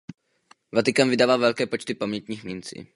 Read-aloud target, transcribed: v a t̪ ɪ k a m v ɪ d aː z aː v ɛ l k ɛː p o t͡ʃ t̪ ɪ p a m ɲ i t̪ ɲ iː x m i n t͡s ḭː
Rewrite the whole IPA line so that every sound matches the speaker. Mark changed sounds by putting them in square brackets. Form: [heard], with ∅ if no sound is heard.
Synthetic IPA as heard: v a t̪ ɪ k a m v ɪ d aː [v] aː v ɛ l k ɛː p o t͡ʃ t̪ ɪ p a m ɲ [ɛ] t̪ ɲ iː x m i n t͡s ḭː